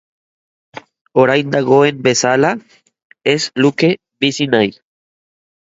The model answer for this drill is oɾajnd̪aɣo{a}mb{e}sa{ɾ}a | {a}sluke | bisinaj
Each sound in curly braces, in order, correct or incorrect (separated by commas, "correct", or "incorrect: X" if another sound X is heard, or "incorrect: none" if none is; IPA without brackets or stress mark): incorrect: e, correct, incorrect: l, incorrect: e